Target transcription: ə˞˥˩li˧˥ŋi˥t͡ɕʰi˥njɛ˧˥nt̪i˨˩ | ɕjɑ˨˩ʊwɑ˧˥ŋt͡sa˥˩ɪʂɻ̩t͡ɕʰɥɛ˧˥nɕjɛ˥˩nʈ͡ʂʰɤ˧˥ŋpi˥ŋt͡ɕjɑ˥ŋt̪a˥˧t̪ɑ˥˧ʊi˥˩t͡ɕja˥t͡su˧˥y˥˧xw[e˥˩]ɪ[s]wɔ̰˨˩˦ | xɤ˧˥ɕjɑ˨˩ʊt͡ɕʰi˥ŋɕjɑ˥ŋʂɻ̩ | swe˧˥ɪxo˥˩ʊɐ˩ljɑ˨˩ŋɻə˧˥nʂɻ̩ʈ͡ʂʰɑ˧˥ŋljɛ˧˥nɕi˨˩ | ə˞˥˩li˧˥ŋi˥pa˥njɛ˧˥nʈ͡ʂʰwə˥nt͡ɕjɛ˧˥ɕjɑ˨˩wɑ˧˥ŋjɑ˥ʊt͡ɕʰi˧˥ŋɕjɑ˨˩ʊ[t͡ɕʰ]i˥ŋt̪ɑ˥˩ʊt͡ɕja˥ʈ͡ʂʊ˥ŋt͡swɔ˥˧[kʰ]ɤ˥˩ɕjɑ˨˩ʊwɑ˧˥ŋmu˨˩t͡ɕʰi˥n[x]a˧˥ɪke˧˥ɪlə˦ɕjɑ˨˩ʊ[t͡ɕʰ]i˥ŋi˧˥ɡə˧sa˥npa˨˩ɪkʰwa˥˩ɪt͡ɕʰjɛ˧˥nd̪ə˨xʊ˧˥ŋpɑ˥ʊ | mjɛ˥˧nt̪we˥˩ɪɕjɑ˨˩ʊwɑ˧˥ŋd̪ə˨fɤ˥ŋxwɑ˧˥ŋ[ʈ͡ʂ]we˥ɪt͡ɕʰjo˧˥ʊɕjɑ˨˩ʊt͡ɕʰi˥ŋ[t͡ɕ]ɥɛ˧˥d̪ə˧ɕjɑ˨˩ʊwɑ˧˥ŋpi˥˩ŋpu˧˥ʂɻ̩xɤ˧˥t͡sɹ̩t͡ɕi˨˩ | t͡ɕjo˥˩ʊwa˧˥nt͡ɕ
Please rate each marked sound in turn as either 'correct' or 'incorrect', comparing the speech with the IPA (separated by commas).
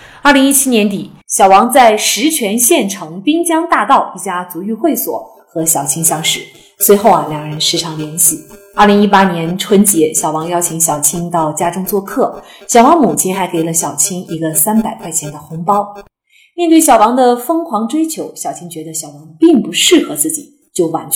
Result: correct, correct, correct, correct, correct, correct, correct, correct